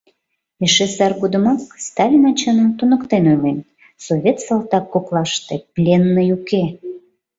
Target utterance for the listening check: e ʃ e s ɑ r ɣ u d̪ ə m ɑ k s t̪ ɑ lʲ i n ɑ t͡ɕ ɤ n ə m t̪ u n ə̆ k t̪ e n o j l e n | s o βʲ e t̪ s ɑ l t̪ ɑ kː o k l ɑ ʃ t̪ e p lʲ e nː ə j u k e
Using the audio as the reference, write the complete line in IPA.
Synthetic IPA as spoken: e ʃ e s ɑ r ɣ u d̪ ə m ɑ k s t̪ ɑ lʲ i n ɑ t͡ɕ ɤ n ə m t̪ u n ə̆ k t̪ e n o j l e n | s o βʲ e t̪ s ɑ l t̪ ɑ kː o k l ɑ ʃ t̪ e p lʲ e nː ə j u k e